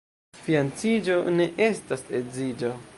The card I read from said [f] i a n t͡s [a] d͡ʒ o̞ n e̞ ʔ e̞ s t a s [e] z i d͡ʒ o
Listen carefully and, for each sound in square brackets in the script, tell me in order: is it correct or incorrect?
correct, incorrect: i, correct

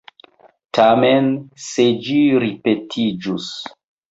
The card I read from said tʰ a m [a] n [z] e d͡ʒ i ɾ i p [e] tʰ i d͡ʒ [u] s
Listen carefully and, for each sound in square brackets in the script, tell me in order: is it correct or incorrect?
incorrect: e, incorrect: s, correct, correct

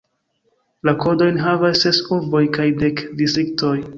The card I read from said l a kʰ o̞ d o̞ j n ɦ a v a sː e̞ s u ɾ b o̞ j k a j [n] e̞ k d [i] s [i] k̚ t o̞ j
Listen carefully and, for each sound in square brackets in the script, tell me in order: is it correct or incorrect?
incorrect: d, correct, correct

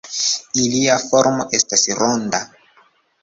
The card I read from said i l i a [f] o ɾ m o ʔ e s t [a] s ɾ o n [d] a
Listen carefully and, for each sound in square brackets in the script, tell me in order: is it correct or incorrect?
correct, correct, correct

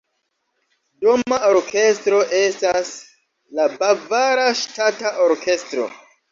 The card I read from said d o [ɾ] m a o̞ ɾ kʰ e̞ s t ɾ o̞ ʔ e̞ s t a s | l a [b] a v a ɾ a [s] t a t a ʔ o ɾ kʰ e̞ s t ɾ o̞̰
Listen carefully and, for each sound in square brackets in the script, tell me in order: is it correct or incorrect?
incorrect: none, correct, incorrect: ʃ

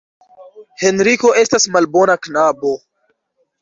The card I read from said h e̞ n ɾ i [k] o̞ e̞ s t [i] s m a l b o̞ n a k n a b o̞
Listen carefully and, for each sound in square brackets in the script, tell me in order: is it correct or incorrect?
correct, incorrect: a

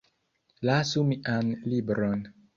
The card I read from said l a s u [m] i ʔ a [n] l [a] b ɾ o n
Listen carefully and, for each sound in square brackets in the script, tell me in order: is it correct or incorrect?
correct, correct, incorrect: i

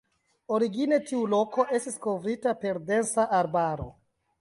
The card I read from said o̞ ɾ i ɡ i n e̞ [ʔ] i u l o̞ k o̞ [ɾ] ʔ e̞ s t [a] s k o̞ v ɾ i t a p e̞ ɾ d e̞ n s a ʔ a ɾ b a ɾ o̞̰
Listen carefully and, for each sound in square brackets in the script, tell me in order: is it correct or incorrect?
incorrect: t, incorrect: none, incorrect: i

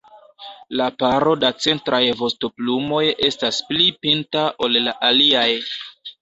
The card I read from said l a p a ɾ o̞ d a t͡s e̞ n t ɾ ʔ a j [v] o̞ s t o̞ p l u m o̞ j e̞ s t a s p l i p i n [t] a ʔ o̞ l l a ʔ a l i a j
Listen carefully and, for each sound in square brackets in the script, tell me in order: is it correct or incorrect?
correct, correct

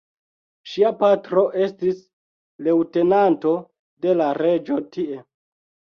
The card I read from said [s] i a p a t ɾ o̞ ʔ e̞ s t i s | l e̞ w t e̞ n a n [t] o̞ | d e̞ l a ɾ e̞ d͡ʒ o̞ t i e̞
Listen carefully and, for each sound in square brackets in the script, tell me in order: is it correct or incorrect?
incorrect: ʃ, correct

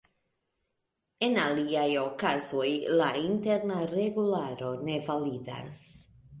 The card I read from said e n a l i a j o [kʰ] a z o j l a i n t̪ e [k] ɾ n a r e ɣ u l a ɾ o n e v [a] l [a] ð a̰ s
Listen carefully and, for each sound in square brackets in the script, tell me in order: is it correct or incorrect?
incorrect: k, incorrect: none, correct, incorrect: i

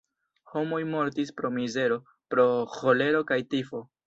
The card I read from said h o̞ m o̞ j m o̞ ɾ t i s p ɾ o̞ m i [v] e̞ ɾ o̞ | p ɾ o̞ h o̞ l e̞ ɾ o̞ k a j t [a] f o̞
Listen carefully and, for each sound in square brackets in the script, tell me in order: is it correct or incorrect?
incorrect: z, incorrect: i

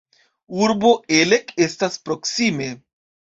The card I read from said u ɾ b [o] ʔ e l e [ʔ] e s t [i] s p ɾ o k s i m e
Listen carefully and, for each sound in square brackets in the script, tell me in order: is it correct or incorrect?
correct, incorrect: k, incorrect: a

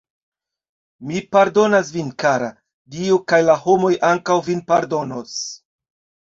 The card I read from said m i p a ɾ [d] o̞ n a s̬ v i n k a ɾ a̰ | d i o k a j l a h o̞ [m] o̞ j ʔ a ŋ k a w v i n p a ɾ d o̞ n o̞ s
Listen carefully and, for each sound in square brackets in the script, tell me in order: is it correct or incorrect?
correct, correct

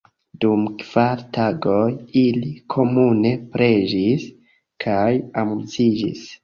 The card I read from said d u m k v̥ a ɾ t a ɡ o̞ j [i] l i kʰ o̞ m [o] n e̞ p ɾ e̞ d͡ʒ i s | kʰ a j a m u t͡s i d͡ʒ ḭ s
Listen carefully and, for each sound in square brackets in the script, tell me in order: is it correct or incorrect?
correct, incorrect: u

